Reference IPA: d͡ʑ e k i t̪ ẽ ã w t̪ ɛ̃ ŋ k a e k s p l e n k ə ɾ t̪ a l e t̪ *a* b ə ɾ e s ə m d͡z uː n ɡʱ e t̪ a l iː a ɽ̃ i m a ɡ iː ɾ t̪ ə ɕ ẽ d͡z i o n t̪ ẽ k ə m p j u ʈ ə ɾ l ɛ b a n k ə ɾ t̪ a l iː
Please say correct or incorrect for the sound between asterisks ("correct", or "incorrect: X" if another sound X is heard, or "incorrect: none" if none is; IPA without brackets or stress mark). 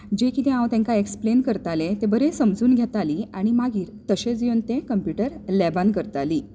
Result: incorrect: e